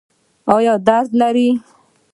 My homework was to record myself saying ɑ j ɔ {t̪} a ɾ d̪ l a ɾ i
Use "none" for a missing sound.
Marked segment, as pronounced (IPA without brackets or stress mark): d̪